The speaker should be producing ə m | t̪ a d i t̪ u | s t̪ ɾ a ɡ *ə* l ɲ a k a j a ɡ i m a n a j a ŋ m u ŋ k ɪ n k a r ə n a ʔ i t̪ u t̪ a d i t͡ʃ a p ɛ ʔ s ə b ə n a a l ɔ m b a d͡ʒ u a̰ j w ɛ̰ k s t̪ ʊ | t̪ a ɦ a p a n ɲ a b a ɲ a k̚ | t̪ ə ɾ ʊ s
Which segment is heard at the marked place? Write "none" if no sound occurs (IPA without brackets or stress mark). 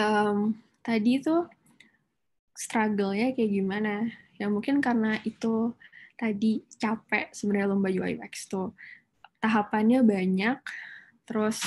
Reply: ə